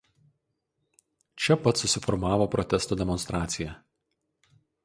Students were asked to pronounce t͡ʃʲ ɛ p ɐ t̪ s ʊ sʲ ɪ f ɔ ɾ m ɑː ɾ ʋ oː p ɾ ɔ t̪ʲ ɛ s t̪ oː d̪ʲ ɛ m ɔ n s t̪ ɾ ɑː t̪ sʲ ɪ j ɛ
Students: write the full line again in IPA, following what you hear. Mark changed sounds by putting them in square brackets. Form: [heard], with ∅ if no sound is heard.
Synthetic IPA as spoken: t͡ʃʲ ɛ p ɐ t̪ s ʊ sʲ ɪ f ɔ ɾ m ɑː [∅] ʋ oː p ɾ ɔ t̪ʲ ɛ s t̪ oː d̪ʲ ɛ m ɔ n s t̪ ɾ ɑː t̪ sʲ ɪ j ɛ